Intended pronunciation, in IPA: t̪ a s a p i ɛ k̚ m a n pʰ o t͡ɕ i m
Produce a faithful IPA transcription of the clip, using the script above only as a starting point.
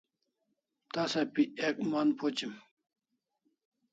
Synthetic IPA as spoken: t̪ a s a p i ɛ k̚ m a n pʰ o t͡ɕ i m